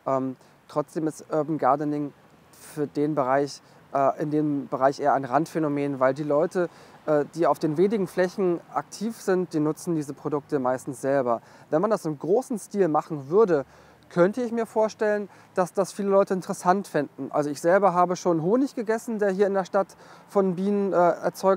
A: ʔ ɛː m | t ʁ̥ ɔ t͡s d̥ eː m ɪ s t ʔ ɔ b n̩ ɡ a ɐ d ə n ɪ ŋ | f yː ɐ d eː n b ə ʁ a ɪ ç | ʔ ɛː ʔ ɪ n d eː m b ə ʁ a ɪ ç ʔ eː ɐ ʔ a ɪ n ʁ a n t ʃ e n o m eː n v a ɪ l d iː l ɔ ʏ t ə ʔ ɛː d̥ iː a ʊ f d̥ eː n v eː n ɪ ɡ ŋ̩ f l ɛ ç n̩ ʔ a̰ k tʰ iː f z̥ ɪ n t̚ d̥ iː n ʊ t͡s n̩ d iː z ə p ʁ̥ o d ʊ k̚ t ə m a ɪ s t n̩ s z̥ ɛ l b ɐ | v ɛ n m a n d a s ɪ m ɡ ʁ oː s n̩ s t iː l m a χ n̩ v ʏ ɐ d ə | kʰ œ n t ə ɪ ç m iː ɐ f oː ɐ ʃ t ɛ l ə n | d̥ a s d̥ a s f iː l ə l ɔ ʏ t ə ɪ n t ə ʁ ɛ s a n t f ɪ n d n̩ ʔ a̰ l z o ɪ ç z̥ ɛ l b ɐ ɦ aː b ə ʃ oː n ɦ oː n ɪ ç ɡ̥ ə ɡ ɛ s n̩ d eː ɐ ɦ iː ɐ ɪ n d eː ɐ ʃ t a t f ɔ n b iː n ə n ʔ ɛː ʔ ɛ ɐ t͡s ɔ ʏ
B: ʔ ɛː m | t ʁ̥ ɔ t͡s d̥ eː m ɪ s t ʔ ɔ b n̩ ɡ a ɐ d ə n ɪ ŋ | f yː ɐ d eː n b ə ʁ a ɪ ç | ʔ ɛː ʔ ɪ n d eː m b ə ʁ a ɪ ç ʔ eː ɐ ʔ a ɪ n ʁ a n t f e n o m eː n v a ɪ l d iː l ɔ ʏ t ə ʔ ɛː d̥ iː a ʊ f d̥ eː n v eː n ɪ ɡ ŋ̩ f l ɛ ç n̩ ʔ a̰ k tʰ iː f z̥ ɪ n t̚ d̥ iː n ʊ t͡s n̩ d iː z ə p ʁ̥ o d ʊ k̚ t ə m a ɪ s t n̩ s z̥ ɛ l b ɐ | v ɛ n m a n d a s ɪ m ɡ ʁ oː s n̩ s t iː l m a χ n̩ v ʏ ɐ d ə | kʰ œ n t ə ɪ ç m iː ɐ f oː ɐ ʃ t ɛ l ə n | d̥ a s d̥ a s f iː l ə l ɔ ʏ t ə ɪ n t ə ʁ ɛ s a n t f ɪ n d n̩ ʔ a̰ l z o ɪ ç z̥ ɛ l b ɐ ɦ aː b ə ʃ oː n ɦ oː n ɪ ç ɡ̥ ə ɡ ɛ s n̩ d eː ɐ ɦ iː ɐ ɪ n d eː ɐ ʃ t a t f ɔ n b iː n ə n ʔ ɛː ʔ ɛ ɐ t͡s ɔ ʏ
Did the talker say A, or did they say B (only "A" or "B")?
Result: B